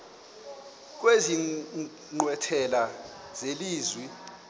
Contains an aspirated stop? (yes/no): yes